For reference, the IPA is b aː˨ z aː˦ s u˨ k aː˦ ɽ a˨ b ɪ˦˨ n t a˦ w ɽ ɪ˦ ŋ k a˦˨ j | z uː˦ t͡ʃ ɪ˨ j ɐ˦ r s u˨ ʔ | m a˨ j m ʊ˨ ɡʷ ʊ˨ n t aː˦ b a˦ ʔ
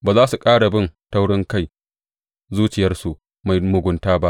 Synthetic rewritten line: b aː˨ z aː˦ s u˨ kʼ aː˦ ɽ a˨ b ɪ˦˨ n t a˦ w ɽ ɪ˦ ŋ k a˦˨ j | z uː˦ t͡ʃ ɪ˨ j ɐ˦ r s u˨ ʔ | m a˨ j m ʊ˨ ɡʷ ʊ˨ n t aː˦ b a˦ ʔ